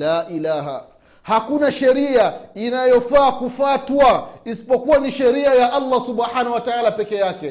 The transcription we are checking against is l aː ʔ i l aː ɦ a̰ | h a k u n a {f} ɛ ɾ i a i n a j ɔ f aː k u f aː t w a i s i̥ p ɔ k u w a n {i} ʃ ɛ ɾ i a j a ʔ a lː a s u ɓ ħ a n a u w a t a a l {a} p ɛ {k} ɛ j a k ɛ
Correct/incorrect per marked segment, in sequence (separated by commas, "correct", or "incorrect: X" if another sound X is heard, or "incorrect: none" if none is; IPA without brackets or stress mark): incorrect: ʃ, correct, correct, correct